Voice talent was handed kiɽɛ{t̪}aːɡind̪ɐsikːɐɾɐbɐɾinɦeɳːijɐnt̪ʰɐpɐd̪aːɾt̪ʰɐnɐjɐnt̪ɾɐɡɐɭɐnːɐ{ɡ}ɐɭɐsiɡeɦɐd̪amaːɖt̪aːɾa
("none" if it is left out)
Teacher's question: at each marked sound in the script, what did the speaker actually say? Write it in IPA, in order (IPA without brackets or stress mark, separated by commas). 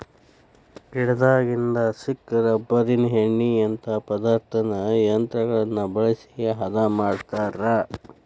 d̪, b